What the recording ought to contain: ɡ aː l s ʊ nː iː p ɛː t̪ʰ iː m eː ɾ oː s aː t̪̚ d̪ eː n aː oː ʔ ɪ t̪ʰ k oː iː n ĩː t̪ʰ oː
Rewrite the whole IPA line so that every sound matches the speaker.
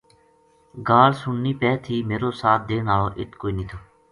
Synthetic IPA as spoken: ɡ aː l s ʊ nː iː p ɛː t̪ʰ iː m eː ɾ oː s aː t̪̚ d̪ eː n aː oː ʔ ɪ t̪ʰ k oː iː n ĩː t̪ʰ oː